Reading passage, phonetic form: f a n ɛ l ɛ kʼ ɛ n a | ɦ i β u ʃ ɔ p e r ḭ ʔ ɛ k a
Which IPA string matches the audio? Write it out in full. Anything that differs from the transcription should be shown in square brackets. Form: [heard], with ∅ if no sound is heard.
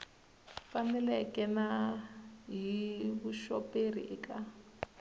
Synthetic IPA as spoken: f a n ɛ l ɛ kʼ ɛ n a | ɦ i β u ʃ ɔ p e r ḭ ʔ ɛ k a

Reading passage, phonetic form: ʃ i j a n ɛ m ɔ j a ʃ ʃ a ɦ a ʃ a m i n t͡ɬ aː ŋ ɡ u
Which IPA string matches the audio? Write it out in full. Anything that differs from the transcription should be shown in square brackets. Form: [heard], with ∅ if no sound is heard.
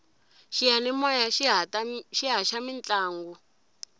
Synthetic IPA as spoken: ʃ i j a n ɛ m ɔ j a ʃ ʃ [i] ɦ a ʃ a m i n t͡ɬ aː ŋ ɡ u

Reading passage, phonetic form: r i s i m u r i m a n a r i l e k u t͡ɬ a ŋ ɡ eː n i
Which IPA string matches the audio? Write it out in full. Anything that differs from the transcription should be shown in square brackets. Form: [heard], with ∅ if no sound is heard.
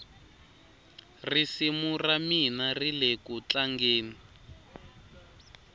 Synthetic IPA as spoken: r i s i m u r [a] m [i] n a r i l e k u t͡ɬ a ŋ ɡ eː n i

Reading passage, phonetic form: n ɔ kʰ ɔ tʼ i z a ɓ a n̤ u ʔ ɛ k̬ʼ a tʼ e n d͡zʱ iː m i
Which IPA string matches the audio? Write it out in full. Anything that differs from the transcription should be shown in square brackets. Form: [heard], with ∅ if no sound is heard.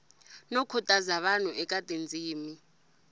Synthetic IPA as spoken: n ɔ kʰ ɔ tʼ [a] z a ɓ a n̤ u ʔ ɛ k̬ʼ a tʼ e n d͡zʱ iː m i

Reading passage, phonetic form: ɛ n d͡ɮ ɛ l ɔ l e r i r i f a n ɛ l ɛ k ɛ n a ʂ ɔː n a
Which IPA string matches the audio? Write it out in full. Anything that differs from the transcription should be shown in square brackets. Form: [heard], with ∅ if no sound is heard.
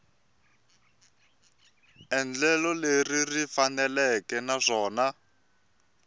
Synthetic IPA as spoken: ɛ n d͡ɮ ɛ l ɔ l e r i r i f a n ɛ l ɛ k ɛ n a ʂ ɔː n a

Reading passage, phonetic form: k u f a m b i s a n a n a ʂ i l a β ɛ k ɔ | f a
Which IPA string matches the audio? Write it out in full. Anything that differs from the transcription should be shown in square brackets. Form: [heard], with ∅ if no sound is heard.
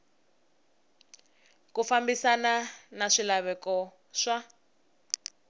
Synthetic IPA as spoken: k u f a m b i s a n a n a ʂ i l a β ɛ k ɔ | [ʂ] a

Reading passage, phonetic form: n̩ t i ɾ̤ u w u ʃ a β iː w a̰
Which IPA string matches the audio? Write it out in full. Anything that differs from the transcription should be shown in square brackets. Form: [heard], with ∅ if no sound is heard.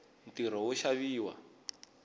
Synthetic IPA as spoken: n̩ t i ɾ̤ [ɔ] w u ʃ a β iː w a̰

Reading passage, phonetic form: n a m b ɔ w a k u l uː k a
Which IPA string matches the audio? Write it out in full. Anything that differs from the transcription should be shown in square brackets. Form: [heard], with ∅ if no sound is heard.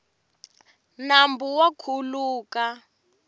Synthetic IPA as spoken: n a m b [u] w a [kʰ] u l uː k a

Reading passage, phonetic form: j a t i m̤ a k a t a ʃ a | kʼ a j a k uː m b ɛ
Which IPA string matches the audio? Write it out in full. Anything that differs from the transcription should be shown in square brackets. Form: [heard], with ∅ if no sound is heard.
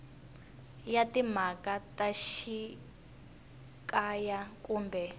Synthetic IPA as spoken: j a t i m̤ a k a t a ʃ [i] | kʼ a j a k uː m b ɛ

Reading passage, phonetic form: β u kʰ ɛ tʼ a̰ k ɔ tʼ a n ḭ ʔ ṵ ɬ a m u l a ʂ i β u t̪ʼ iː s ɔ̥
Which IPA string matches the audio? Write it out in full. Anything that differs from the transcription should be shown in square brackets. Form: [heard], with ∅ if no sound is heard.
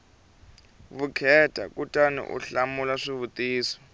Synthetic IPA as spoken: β u kʰ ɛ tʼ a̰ k [u] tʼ a n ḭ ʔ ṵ ɬ a m u l a ʂ i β u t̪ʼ iː s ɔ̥

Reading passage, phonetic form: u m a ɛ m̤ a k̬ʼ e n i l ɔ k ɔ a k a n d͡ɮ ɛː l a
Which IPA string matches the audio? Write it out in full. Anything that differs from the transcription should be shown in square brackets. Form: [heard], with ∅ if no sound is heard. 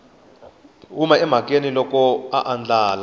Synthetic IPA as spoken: u m a ɛ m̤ a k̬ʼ e n i l ɔ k ɔ a [ʔ] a n d͡ɮ [aː] l a

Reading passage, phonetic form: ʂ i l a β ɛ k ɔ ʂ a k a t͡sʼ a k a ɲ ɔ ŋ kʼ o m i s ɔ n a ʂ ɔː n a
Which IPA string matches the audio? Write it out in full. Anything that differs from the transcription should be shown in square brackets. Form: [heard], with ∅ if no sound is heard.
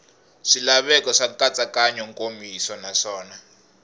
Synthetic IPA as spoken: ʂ i l a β ɛ k ɔ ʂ a k a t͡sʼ a k a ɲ ɔ ŋ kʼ o m i s ɔ n a ʂ ɔː n a

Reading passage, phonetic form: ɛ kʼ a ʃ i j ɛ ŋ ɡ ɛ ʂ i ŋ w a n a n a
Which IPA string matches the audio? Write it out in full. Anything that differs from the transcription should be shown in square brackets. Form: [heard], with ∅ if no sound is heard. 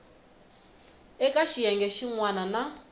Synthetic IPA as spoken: ɛ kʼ a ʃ i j ɛ ŋ ɡ ɛ [ʃ] i ŋ w a n a n a

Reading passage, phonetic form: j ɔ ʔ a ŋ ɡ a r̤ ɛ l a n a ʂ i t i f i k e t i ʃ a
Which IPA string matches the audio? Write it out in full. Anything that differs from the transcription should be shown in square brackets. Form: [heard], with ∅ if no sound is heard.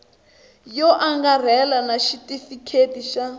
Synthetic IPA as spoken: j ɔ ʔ a ŋ ɡ a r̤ ɛ l a n a [ʃ] i t i f i [kʰ] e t i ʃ a

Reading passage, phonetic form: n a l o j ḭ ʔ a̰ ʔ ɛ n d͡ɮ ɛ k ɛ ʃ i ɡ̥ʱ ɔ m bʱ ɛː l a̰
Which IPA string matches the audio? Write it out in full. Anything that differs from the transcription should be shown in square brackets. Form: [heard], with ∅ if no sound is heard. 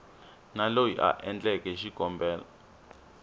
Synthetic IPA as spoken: n a l o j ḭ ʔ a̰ ʔ ɛ n d͡ɮ ɛ k ɛ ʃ i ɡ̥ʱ ɔ m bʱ ɛː l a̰

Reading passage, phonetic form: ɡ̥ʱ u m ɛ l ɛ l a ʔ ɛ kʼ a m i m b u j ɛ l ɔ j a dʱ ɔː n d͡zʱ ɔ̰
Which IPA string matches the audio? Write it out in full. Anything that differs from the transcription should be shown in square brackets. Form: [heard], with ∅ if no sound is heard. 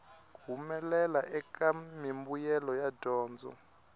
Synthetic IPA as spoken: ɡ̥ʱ u m ɛ l ɛ l a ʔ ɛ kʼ a m i m b u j ɛ l ɔ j a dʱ ɔː n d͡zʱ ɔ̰

